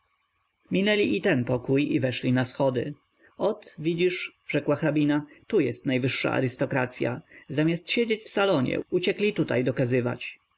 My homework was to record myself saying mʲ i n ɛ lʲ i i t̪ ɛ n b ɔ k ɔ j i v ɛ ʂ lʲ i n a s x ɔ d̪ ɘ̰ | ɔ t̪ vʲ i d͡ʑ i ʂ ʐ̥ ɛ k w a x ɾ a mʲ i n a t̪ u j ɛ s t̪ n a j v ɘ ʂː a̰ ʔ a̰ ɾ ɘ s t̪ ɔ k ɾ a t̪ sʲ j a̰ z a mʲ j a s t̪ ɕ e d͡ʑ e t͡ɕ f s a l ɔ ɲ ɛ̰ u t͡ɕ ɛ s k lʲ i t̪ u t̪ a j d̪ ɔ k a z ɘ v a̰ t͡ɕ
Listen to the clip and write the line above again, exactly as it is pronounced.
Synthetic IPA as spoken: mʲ i n ɛ lʲ i i t̪ ɛ n p ɔ k u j i v ɛ ʂ lʲ i n a s x ɔ d̪ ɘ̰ | ɔ t̪ vʲ i d͡ʑ i ʂ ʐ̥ ɛ k w a x ɾ a bʲ i n a t̪ u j ɛ s t̪ n a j v ɘ ʂː a̰ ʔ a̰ ɾ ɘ s t̪ ɔ k ɾ a t̪ sʲ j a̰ z a mʲ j a s t̪ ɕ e d͡ʑ e t͡ɕ f s a l ɔ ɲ ɛ̰ u t͡ɕ ɛ k lʲ i t̪ u t̪ a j d̪ ɔ k a z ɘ v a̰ t͡ɕ

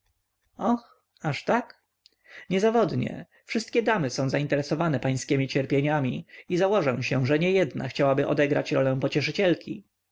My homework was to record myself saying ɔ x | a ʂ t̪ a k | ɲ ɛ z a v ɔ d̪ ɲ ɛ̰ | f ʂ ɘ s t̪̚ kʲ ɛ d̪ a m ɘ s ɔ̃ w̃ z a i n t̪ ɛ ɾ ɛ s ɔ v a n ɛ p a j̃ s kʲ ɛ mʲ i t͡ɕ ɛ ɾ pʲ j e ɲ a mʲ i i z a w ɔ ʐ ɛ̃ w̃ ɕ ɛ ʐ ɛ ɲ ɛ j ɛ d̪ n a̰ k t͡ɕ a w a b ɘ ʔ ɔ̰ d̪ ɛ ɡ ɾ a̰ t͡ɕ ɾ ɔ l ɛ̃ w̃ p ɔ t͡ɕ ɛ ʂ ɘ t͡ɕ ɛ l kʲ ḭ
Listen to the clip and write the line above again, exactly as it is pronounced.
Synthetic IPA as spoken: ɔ x | a ʂ t̪ a k | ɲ ɛ z a v ɔ d̪ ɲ ɛ̰ | f ʂ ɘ s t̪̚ kʲ ɛ d̪ a m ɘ s ɔ̃ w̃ z a i n t̪ ɛ ɾ ɛ s ɔ v a n ɛ p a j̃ s kʲ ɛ mʲ i t͡ɕ ɛ ɾ pʲ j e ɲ a mʲ i i z a w ɔ ʐ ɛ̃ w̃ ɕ ɛ ʐ ɛ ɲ ɛ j ɛ d̪ n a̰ x t͡ɕ a w a b ɘ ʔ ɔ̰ d̪ ɛ ɡ ɾ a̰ t͡ɕ ɾ ɔ l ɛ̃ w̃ p ɔ t͡ɕ ɛ ʂ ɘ t͡ɕ ɛ l kʲ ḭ

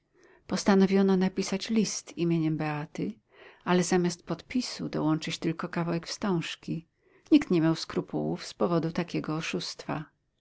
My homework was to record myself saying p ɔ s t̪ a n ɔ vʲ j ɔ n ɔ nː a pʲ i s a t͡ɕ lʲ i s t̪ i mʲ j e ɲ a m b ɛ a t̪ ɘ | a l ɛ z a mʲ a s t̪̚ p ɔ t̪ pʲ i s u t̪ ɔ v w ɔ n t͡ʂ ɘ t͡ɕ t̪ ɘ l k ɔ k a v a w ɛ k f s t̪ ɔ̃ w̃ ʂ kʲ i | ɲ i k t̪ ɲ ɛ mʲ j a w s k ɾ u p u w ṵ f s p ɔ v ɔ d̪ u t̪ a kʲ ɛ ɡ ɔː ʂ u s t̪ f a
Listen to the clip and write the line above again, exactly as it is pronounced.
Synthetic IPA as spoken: p ɔ s t̪ a n ɔ vʲ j ɔ n ɔ n a pʲ i s a t͡ɕ lʲ i s t̪ i mʲ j e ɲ ɛ m b ɛ a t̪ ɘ | a l ɛ z a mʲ a s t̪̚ p ɔ t̪ pʲ i s u d̪ ɔ w ɔ n t͡ʂ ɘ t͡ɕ t̪ ɘ l k ɔ k a v a w ɛ k f s t̪ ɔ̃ w̃ ʂ kʲ i | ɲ i k t̪ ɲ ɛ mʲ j a w s k ɾ u p u w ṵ f s p ɔ v ɔ d̪ u t̪ a kʲ ɛ ɡ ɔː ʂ u s t̪ f a

